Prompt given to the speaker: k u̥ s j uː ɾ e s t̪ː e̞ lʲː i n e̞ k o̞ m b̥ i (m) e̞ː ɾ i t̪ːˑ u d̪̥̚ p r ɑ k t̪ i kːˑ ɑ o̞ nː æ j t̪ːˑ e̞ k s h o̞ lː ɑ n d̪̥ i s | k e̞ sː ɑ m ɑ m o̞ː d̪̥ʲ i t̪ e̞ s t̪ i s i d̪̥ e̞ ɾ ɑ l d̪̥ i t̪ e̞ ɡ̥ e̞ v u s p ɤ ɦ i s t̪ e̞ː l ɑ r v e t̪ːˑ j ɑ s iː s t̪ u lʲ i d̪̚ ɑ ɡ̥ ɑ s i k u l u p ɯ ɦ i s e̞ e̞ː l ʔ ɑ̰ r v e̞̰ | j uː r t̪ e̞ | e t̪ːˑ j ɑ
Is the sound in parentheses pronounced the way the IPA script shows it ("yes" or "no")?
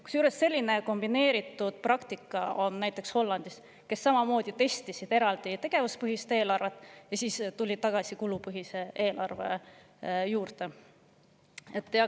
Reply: no